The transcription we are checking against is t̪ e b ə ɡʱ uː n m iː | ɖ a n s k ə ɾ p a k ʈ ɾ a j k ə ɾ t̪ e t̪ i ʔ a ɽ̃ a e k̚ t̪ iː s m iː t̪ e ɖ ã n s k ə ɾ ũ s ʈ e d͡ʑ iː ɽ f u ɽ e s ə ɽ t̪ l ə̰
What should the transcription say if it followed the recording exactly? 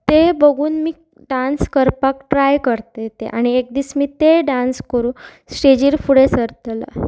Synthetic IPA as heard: t̪ e b ə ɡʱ uː n m iː | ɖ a n s k ə ɾ p a k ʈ ɾ a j k ə ɾ t̪ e t̪ e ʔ a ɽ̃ i e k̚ d̪ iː s m iː t̪ e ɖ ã n s k ə ɾ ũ s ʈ e d͡ʑ iː ɾ f u ɽ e s ə ɾ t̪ l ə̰